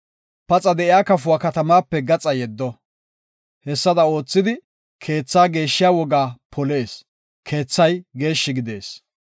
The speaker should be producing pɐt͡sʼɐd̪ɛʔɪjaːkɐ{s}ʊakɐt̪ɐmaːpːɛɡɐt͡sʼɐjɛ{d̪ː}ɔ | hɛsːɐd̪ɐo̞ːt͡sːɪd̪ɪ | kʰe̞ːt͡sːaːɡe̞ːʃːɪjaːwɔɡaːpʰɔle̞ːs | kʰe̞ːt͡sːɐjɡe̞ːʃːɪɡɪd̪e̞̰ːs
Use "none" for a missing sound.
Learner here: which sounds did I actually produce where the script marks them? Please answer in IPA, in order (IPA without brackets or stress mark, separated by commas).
f, d̪ː